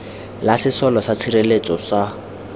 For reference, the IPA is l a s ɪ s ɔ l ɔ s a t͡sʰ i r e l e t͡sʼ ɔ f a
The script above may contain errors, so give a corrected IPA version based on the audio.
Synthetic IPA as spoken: l a s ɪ s ɔ l ɔ s a t͡sʰ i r e l e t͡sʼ ɔ s a